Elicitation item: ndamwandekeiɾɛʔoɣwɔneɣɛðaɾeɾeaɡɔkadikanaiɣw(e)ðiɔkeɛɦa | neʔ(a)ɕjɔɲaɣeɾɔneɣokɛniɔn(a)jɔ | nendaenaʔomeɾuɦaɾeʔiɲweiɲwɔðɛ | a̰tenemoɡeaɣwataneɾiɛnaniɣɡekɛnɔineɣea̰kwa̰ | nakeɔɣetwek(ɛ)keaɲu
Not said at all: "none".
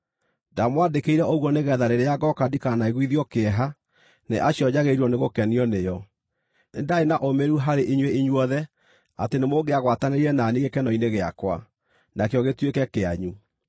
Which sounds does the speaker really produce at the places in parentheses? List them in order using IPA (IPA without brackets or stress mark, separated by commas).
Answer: i, a, e, ɛ